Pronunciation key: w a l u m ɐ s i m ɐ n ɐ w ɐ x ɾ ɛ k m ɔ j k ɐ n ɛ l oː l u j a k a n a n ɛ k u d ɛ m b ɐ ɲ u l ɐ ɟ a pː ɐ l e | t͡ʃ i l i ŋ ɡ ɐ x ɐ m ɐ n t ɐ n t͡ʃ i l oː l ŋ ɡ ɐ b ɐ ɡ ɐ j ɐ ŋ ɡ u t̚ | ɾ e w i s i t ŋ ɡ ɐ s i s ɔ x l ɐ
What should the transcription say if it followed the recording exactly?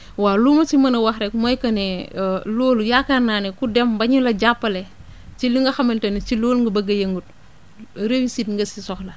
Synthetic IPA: w a l u m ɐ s i m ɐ n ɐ w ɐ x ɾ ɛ k m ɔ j k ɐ n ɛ l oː l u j a k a n a n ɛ k u d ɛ m b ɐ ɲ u l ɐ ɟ a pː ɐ l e | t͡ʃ i l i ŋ ɡ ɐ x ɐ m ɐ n t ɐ n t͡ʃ i l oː l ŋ ɡ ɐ b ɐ ɡ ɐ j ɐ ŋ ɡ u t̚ | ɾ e w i s i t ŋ ɡ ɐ s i s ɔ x l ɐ